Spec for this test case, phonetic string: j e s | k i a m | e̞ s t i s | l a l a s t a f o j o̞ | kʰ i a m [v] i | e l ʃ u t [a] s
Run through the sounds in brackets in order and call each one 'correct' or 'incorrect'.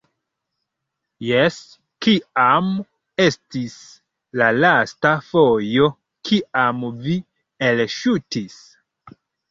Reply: correct, incorrect: i

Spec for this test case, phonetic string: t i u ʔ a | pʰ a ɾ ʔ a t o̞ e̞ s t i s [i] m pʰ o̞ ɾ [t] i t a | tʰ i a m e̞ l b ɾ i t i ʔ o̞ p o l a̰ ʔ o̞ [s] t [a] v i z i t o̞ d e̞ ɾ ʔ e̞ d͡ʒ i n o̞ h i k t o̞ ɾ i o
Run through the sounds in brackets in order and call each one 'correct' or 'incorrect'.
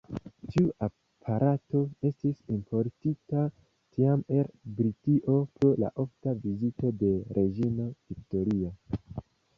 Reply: correct, correct, incorrect: f, correct

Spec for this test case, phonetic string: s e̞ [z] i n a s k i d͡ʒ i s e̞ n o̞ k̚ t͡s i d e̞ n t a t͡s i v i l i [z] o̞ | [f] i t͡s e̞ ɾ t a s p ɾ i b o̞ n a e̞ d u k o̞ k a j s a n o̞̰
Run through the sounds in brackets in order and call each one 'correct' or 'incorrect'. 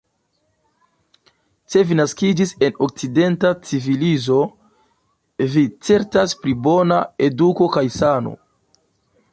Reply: incorrect: v, correct, incorrect: v

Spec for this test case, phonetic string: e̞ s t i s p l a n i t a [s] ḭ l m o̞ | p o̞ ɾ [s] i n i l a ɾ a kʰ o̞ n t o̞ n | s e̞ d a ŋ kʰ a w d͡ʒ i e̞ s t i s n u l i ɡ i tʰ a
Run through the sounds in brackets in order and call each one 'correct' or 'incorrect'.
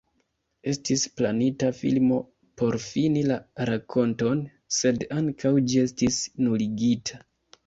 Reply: incorrect: f, incorrect: f

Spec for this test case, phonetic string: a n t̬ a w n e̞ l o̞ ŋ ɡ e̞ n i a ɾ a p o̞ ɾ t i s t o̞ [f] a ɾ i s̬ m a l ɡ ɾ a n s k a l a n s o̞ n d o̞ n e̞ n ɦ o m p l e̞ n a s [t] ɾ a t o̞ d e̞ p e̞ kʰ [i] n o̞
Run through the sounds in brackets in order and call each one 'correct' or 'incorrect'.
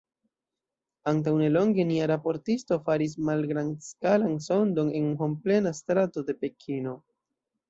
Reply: correct, correct, correct

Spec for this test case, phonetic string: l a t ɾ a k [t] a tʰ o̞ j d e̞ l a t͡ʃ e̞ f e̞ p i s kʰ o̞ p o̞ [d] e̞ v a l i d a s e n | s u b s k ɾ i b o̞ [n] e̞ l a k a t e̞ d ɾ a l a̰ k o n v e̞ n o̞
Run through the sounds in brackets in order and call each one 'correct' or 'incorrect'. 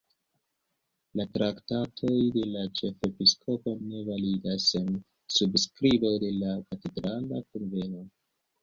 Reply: correct, incorrect: n, incorrect: d

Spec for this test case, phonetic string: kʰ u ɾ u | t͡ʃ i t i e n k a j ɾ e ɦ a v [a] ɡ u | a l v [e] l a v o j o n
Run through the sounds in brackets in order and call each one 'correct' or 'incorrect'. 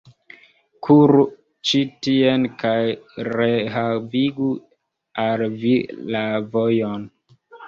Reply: incorrect: i, incorrect: i

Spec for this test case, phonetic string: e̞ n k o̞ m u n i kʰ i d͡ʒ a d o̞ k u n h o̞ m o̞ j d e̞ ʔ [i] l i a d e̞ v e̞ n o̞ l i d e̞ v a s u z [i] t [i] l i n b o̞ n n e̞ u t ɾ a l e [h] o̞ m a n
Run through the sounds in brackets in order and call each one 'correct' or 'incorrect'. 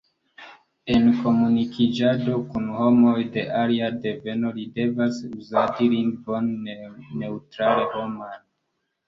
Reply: incorrect: a, incorrect: a, correct, correct

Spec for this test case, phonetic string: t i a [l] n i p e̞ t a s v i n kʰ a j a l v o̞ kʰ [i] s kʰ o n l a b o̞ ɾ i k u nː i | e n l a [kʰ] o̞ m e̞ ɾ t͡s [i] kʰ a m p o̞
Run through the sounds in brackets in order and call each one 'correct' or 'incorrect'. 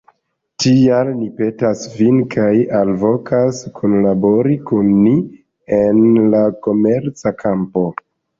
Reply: correct, incorrect: a, incorrect: k, incorrect: a

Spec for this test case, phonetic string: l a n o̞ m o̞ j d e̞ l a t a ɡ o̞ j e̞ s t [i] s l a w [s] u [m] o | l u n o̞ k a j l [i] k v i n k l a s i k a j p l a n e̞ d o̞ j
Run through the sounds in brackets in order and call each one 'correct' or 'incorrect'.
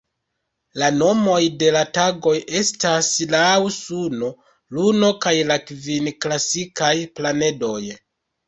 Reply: incorrect: a, correct, incorrect: n, incorrect: a

